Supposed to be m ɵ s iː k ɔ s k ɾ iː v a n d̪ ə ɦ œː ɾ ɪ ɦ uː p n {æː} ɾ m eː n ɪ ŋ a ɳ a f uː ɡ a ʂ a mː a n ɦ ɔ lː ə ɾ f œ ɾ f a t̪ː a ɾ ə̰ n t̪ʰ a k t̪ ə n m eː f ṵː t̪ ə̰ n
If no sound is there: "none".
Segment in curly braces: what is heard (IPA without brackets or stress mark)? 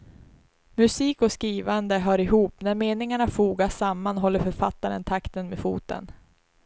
æ